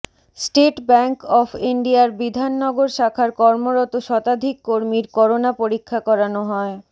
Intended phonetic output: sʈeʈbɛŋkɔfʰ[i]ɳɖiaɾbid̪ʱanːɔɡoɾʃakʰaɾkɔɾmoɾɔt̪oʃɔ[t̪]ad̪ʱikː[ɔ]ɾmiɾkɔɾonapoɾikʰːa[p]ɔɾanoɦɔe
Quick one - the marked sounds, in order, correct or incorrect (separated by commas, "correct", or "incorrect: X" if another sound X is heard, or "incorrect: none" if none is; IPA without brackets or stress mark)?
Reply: correct, correct, incorrect: o, incorrect: k